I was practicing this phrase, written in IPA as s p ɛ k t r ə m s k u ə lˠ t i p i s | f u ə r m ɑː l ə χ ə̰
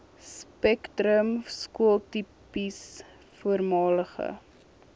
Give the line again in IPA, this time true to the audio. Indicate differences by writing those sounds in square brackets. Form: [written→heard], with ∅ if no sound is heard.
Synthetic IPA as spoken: s p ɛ k t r ə m s k u ə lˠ t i p i s | f u ə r m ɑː l ə χ ə̰